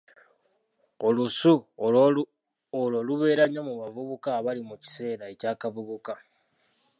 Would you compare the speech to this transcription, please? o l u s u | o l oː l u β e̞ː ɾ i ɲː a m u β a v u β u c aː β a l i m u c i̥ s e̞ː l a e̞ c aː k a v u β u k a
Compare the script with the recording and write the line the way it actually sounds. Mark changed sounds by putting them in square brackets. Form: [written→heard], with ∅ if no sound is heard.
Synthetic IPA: o l u s u | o l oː l u β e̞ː ɾ [i→a] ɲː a m u β a v u β u [c→k] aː β a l i m u c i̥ s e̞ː [l→ɾ] a e̞ c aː k a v u β u k a